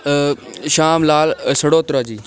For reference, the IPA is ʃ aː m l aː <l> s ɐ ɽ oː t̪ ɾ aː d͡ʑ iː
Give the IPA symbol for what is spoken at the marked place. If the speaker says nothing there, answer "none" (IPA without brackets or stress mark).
l